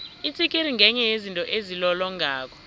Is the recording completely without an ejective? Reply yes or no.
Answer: no